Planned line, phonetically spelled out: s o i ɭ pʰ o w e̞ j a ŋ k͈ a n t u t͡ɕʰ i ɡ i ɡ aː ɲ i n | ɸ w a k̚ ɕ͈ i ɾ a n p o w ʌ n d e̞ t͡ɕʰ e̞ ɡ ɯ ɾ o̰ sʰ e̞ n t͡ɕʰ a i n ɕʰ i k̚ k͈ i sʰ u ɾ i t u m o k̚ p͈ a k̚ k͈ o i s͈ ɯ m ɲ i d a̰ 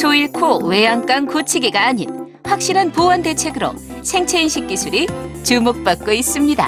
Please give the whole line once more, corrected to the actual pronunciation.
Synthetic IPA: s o i ɭ kʰ o w e̞ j a ŋ k͈ a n k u t͡ɕʰ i ɡ i ɡ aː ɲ i n | ɸ w a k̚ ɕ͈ i ɾ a n p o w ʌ n d e̞ t͡ɕʰ e̞ ɡ ɯ ɾ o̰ sʰ e̞ ŋ t͡ɕʰ e i n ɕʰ i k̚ k͈ i sʰ u ɾ i t͡ɕ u m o k̚ p͈ a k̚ k͈ o i s͈ ɯ m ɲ i d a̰